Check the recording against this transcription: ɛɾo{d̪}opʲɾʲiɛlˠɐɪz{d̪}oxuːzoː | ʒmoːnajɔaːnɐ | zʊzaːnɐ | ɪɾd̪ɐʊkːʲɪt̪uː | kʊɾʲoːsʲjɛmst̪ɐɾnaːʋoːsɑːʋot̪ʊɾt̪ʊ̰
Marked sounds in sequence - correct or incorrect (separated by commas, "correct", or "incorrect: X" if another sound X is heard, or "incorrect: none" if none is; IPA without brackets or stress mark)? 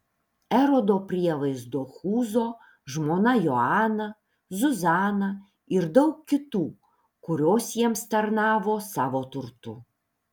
correct, correct